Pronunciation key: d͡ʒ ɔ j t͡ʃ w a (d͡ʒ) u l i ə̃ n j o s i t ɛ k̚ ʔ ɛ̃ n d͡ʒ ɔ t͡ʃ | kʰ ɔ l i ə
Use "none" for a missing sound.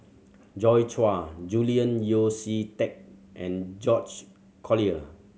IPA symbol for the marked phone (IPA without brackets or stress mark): d͡ʒ